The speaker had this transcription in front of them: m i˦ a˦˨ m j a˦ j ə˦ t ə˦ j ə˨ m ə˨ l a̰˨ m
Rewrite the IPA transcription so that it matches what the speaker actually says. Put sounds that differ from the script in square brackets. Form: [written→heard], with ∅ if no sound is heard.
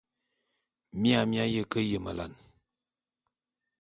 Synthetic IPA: m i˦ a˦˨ m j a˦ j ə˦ [t→k] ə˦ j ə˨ m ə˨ l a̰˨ [m→n]

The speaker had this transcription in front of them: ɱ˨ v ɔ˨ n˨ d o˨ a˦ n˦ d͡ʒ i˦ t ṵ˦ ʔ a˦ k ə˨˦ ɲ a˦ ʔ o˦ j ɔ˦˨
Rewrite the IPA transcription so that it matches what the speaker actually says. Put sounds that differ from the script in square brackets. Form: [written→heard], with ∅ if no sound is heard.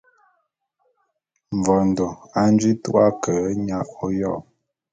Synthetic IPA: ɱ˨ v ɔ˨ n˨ d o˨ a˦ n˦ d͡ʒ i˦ t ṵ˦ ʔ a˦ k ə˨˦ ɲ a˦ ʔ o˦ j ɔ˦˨

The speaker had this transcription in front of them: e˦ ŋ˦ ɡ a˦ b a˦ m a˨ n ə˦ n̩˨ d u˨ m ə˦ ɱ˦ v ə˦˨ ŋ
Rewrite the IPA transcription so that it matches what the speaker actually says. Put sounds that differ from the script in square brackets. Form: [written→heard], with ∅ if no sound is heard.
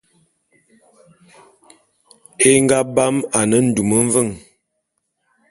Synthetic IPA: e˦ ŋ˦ ɡ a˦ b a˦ m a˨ n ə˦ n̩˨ d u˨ m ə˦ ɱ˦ v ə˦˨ ŋ

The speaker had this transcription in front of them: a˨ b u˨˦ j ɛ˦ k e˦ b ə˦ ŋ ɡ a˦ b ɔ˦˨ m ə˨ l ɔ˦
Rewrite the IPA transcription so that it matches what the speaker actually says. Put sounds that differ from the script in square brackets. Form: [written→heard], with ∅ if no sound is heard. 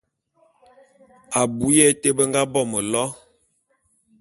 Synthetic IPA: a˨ b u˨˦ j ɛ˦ [k→t] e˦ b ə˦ ŋ ɡ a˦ b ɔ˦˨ m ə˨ l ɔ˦

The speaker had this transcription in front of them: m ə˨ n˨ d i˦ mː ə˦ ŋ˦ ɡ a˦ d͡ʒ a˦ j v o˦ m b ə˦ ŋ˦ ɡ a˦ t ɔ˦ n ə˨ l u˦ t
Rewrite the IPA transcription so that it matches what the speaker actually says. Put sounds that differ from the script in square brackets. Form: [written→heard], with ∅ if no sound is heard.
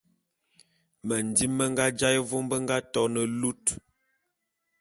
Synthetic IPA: m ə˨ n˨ d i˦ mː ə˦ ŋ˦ ɡ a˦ d͡ʒ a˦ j v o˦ m b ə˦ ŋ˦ ɡ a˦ t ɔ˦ n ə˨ l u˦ t

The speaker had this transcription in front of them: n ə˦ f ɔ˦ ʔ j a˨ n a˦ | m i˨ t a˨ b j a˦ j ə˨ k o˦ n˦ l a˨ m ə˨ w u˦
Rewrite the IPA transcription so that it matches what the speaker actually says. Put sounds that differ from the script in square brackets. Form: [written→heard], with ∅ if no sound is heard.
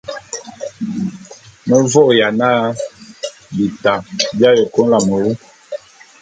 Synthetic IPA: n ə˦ [f→v] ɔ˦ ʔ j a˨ n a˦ | [m→b] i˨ t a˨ b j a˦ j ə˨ k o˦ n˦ l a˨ m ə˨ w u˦

